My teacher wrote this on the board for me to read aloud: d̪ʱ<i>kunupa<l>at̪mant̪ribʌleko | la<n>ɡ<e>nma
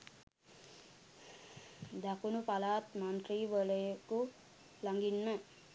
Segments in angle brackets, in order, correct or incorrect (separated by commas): incorrect, correct, incorrect, incorrect